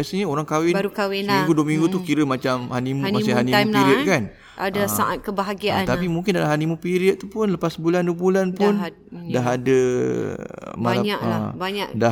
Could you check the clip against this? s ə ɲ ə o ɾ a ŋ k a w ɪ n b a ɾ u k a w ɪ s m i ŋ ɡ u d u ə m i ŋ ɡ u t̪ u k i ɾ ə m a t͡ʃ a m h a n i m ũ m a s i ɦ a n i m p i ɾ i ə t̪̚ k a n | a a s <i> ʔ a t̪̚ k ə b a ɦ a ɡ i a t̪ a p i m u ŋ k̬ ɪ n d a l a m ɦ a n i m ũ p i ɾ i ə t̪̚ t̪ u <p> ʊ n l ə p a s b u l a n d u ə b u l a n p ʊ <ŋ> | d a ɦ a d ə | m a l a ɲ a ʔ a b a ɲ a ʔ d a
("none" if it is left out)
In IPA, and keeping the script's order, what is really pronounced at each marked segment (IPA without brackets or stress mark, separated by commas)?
a, p, n